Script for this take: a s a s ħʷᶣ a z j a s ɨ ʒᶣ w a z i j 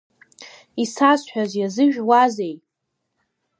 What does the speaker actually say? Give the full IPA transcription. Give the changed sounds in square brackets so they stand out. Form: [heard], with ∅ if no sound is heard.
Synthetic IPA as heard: [i] s a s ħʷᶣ a z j a [z] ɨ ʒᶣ w a z [e] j